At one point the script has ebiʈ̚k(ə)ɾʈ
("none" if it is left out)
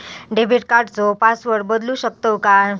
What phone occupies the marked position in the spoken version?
a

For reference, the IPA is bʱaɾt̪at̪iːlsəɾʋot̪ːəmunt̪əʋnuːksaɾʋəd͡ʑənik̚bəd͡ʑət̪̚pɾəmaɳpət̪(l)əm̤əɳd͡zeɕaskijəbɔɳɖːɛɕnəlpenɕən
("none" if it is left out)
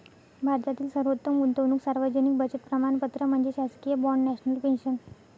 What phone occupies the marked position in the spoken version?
ɾ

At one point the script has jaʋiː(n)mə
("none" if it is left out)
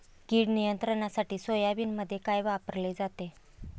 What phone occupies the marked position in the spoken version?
n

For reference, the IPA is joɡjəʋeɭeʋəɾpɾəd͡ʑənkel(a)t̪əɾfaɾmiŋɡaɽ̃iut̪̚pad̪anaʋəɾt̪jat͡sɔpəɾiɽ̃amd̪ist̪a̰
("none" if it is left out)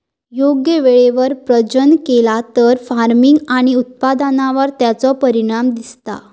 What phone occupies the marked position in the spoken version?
a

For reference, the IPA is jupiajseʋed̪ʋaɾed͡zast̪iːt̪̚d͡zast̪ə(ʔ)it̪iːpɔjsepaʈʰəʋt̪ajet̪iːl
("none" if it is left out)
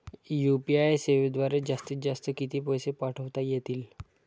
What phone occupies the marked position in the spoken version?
k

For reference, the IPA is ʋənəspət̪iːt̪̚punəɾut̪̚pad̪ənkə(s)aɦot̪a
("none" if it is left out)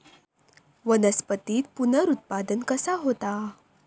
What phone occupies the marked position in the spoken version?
s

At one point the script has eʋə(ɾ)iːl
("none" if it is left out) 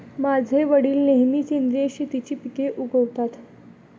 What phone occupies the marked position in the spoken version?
ɽ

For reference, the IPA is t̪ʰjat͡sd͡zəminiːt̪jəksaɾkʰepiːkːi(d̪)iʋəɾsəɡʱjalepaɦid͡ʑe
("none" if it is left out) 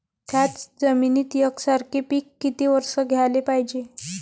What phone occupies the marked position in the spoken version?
t̪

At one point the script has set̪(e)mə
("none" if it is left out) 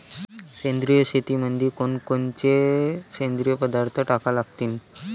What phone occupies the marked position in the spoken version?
i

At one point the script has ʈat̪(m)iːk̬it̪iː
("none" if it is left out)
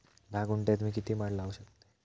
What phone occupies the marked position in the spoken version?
m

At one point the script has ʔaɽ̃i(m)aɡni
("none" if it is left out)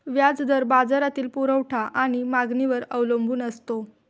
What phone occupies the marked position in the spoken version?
m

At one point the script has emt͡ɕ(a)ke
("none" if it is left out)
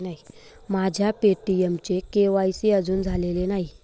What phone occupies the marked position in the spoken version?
e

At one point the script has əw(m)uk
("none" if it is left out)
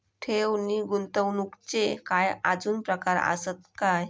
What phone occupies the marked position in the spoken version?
n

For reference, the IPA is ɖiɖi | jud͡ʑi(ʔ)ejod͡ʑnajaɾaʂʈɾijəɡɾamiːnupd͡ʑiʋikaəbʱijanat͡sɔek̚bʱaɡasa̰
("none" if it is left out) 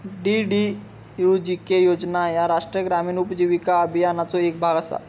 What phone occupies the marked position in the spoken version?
k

